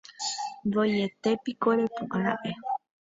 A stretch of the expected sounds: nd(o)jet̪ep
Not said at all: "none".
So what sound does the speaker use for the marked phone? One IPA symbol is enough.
o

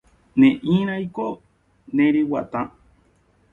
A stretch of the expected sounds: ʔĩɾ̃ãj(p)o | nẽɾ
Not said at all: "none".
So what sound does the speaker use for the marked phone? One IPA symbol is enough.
k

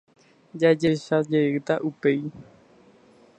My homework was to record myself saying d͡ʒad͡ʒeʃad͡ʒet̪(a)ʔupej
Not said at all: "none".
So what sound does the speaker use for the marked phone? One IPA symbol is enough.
a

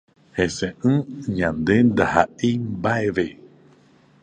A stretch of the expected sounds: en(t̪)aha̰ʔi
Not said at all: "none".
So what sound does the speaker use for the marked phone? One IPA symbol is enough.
d̪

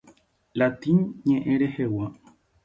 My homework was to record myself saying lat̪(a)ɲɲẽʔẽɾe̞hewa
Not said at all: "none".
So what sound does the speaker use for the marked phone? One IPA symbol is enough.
i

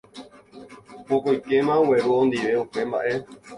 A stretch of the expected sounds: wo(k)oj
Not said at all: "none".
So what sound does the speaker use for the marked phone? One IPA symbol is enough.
k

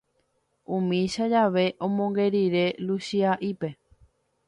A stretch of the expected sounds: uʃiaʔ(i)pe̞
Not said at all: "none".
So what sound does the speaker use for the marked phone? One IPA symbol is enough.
i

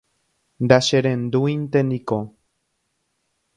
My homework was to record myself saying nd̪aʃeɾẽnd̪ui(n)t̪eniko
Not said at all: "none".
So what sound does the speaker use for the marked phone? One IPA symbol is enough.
n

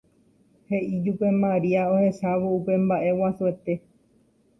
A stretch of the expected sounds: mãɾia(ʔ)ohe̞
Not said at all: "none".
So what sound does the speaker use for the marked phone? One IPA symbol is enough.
none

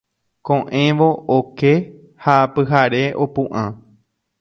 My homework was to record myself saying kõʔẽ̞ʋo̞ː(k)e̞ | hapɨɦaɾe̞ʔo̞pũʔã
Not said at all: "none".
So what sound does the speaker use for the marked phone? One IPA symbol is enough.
k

